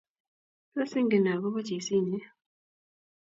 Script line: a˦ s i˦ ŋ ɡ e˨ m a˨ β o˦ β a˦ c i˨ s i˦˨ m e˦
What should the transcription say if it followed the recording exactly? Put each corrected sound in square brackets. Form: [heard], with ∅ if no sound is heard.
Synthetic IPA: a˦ s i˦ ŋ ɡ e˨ [n] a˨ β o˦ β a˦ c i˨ s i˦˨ [ɲ] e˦